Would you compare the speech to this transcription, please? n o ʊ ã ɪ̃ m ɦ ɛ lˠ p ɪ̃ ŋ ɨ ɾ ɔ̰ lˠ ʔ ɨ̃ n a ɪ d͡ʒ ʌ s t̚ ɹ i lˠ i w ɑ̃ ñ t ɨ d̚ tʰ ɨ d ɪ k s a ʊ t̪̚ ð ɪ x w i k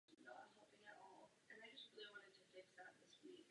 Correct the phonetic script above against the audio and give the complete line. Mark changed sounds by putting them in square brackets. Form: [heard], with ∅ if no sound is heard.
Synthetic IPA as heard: n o ʊ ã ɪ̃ m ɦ ɛ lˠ p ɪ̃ ŋ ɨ ɾ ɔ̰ lˠ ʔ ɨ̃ n a ɪ d͡ʒ ʌ s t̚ ɹ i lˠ i w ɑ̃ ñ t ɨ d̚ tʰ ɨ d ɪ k s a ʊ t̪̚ ð ɪ [s] w i k

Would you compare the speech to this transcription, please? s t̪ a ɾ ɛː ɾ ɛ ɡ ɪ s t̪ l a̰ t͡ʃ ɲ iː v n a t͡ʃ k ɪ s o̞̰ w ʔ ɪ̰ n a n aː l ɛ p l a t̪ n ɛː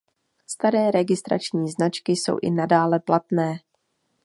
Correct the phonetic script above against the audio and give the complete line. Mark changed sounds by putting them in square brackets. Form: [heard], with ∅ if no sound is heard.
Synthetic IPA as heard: s t̪ a ɾ ɛː ɾ ɛ ɡ ɪ s t̪ [ɾ] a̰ t͡ʃ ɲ iː [z] n a t͡ʃ k ɪ s o̞̰ w ʔ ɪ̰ n a [d] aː l ɛ p l a t̪ n ɛː

